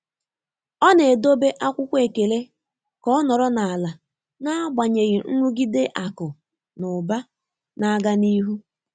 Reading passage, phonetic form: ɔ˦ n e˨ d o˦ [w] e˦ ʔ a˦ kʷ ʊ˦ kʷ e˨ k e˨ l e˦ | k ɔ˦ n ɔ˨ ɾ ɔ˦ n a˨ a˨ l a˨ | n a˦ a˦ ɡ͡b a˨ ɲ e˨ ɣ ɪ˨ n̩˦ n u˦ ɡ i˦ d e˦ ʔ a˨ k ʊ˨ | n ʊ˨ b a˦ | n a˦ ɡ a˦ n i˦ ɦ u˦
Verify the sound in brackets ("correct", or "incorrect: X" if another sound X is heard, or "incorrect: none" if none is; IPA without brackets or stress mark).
incorrect: b